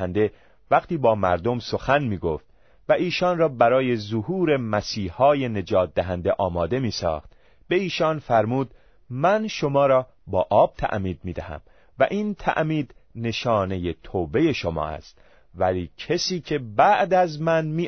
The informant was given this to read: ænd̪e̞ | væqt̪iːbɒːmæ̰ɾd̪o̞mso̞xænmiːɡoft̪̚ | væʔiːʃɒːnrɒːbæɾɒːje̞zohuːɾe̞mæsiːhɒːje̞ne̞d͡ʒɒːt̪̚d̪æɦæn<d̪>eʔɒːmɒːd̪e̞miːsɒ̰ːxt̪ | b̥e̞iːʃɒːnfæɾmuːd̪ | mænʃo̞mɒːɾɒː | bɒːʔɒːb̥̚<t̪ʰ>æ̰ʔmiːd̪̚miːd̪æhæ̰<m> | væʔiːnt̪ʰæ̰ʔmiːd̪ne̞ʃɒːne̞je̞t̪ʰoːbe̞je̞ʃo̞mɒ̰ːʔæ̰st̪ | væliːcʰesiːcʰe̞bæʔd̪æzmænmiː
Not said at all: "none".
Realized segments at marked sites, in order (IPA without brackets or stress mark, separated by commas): d̪, t̪ʰ, m